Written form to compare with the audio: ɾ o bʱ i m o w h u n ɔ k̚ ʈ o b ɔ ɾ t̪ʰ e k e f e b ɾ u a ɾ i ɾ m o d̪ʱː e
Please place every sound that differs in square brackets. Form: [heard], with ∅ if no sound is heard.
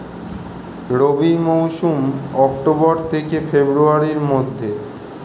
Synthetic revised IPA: ɾ o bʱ i m o w [ʃ] u [m] ɔ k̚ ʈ o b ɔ ɾ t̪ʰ e k e f e b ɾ u a ɾ i ɾ m o d̪ʱː e